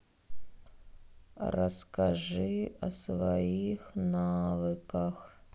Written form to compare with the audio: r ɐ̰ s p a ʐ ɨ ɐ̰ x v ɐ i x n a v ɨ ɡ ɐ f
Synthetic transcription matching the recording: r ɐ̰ s k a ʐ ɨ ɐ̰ s v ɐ i x n a v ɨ k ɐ x